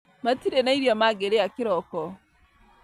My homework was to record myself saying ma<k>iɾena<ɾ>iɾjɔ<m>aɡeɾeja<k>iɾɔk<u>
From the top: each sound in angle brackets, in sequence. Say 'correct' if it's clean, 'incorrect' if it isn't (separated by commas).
incorrect, incorrect, correct, correct, incorrect